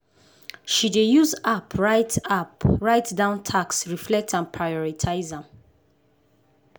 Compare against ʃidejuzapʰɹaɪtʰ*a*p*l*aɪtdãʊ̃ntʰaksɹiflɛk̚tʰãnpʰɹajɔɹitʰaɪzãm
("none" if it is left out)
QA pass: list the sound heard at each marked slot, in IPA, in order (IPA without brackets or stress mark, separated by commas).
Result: a, ɹ